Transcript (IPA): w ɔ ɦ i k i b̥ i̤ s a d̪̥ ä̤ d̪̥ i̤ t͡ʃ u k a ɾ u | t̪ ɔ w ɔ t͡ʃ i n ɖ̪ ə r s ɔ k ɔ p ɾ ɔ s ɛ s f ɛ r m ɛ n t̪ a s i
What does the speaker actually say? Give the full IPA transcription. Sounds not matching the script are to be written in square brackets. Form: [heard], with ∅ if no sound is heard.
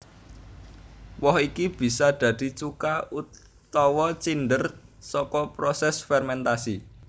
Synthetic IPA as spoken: w ɔ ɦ i k i b̥ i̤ s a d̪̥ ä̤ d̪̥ i̤ t͡ʃ u k a [∅] u | t̪ ɔ w ɔ t͡ʃ i n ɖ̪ ə r s ɔ k ɔ p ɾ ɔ s ɛ s f ɛ r m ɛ n t̪ a s i

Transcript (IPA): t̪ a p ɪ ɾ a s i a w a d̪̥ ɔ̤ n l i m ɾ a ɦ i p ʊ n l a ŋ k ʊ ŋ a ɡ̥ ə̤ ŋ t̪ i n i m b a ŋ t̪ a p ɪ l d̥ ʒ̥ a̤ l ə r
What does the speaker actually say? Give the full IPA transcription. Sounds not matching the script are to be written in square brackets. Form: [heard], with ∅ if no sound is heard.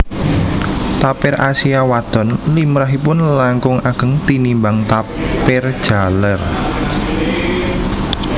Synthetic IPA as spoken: t̪ a p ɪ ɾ a s i a w a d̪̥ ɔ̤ n l i m ɾ a ɦ i p ʊ n l a ŋ k ʊ ŋ a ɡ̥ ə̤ ŋ t̪ i n i m b a ŋ t̪ a p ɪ [r] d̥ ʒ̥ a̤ l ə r

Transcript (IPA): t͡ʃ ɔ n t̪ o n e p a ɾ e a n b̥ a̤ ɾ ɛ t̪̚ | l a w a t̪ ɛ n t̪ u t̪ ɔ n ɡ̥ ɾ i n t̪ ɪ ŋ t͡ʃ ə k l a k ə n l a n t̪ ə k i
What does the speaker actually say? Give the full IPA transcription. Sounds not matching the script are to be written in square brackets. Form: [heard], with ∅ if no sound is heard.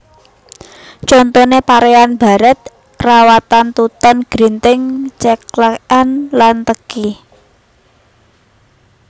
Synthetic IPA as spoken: t͡ʃ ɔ n t̪ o n e p a ɾ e a n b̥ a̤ ɾ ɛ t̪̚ | [r] a w a t̪ [a] n t̪ u t̪ ɔ n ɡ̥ ɾ i n t̪ ɪ ŋ t͡ʃ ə k l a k [a] n l a n t̪ ə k i

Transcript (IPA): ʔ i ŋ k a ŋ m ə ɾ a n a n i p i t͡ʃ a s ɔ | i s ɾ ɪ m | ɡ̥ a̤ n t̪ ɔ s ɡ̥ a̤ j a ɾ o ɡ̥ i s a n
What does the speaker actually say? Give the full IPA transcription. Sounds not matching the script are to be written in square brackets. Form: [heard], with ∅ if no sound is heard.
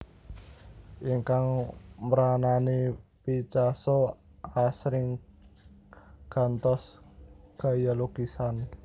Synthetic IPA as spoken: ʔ i ŋ k a ŋ m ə ɾ a n a n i p i t͡ʃ a s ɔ | [a] s ɾ ɪ [ŋ] | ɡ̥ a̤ n t̪ ɔ s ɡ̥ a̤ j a [l] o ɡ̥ i s a n

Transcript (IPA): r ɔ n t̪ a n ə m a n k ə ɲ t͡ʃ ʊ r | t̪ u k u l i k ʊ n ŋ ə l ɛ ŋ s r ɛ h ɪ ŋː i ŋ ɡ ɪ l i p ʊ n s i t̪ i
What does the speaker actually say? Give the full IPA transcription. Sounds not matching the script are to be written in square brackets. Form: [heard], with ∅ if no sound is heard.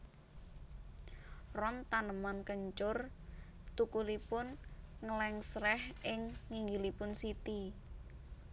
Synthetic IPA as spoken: r ɔ n t̪ a n ə m a n k ə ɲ t͡ʃ ʊ r | t̪ u k u l i [p] ʊ n ŋ ə l ɛ ŋ s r ɛ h ɪ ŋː i ŋ ɡ [i] l i p ʊ n s i t̪ i

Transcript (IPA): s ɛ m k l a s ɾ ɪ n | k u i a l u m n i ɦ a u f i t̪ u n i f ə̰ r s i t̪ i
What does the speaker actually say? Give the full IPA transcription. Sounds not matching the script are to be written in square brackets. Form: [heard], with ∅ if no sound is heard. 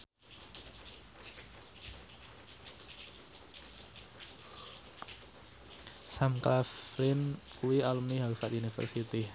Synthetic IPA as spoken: s [a] m k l a [f] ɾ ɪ n | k u i a l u m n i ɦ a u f [a] t̪ u n i f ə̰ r s i t̪ i

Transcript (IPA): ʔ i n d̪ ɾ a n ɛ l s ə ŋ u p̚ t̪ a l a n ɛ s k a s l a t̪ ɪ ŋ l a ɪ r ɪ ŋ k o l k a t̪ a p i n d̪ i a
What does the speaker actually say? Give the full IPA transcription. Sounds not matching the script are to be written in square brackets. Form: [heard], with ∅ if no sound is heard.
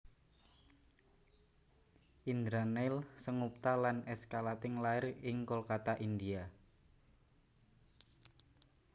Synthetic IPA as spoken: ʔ i n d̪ ɾ a n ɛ l s ə ŋ u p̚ t̪ a l a n ɛ s k a [∅] l a t̪ ɪ ŋ l a ɪ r ɪ ŋ k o l k a t̪ a [ʔ] i n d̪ i a

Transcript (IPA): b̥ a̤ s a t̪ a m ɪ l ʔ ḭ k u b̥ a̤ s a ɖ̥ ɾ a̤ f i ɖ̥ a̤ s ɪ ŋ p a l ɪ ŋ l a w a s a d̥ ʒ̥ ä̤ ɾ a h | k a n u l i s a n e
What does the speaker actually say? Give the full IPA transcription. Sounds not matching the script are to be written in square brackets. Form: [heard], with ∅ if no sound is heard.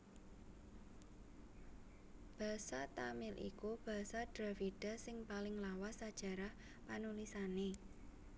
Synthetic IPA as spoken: b̥ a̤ s a t̪ a m ɪ l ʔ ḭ k u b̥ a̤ s a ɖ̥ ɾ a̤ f i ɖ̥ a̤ s ɪ ŋ p a l ɪ ŋ l a w a s a d̥ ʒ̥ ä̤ ɾ a h | [p] a n u l i s a n e

